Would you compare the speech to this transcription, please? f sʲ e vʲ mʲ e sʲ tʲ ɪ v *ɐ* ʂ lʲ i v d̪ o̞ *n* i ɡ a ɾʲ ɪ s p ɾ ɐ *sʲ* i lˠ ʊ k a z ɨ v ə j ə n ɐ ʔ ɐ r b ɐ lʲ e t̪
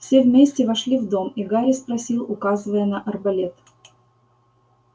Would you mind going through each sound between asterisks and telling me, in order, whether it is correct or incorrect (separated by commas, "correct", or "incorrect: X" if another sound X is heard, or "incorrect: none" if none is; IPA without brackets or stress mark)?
correct, incorrect: m, correct